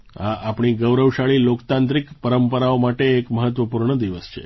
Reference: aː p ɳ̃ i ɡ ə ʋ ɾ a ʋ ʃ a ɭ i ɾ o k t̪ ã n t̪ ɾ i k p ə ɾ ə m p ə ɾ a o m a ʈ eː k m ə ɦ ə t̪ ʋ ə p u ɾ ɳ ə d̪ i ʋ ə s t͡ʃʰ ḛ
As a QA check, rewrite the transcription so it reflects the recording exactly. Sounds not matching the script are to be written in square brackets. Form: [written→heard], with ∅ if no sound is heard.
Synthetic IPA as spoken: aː p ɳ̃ i ɡ ə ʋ ɾ [a→ə] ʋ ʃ a ɭ i [ɾ→l] o k t̪ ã n t̪ ɾ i k p ə ɾ ə m p ə ɾ a o m a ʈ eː k m ə ɦ ə t̪ ʋ ə p u ɾ ɳ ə d̪ i ʋ ə s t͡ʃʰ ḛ

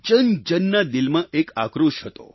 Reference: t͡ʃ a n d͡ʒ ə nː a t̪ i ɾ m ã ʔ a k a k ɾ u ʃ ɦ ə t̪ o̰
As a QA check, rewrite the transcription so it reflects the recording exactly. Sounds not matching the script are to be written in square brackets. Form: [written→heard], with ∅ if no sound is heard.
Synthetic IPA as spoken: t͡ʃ [a→ə] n d͡ʒ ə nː a [t̪→d̪] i [ɾ→l] m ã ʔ [a→e] k a k ɾ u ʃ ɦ ə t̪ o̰

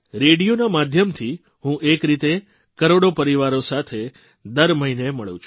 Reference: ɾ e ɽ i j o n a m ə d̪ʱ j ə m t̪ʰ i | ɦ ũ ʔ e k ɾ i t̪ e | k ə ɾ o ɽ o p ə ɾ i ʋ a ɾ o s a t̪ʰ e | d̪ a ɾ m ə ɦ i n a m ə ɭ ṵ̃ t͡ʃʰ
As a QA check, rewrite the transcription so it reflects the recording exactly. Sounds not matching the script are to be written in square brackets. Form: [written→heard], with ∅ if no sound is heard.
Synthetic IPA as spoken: ɾ e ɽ i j o n a m [ə→a] d̪ʱ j ə m t̪ʰ i | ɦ ũ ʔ e k ɾ i t̪ e | k ə ɾ o ɽ o p ə ɾ i ʋ a ɾ o s a t̪ʰ e | d̪ [a→ə] ɾ m ə ɦ i n [a→e] m ə ɭ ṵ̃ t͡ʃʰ

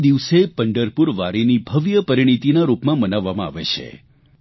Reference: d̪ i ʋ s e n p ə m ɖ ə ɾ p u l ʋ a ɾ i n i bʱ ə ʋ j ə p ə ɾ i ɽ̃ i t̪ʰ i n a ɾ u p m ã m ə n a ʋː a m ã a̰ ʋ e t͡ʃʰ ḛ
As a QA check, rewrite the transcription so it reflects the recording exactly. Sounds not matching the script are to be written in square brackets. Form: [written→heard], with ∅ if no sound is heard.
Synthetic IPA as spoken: d̪ i ʋ s e [n→∅] p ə [m→ɳ] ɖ ə ɾ p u [l→ɾ] ʋ a ɾ i n i bʱ ə ʋ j ə p ə ɾ i ɽ̃ i [t̪ʰ→t̪] i n a ɾ u p m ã m ə n a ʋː a m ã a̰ ʋ e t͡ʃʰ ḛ

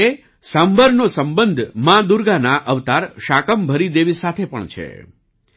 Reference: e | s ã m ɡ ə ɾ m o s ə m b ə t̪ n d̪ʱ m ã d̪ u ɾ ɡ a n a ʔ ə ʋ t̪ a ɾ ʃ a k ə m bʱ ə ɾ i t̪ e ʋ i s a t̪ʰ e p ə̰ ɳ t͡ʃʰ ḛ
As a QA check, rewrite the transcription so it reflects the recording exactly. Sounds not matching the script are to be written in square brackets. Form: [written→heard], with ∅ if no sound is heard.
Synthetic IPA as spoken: e | s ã m [ɡ→b] ə ɾ [m→n] o s ə m b ə [t̪→∅] n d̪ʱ m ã d̪ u ɾ ɡ a n a ʔ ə ʋ t̪ a ɾ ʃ a k ə m bʱ ə ɾ i [t̪→d̪] e ʋ i s a t̪ʰ e p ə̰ ɳ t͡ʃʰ ḛ

